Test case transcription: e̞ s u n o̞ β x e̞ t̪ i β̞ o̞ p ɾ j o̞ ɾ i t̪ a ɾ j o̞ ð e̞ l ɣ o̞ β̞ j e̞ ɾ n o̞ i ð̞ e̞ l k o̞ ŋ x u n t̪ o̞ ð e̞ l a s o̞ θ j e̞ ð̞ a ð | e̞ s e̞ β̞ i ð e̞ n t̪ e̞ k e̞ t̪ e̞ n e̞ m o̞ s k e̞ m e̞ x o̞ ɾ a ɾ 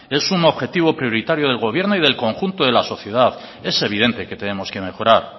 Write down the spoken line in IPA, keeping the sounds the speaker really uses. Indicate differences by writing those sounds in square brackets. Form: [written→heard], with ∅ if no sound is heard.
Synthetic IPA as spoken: e̞ s u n o̞ β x e̞ t̪ i β̞ o̞ p ɾ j o̞ ɾ i t̪ a ɾ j o̞ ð e̞ l ɣ o̞ β̞ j e̞ ɾ n o̞ i ð̞ e̞ l k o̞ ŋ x u n t̪ o̞ ð e̞ l a s o̞ θ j e̞ ð̞ a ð | e̞ s e̞ β̞ i ð e̞ n t̪ e̞ k e̞ t̪ e̞ n e̞ m o̞ s k e̞ m e̞ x o̞ ɾ a ɾ